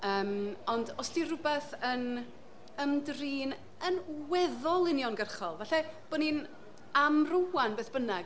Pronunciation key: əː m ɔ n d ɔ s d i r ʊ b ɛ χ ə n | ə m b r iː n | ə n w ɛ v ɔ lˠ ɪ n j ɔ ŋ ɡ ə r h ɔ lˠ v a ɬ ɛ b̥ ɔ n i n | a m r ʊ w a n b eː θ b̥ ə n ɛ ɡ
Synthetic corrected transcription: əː m ɔ n d ɔ s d i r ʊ b ɛ θ ə n | ə m d r iː n | ə n w ɛ ð ɔ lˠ ɪ n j ɔ n ɡ ə r χ ɔ lˠ v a ɬ ɛ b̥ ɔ n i n | a m r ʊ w a n b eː θ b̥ ə n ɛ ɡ